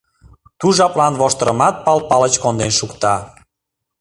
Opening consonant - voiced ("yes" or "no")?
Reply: no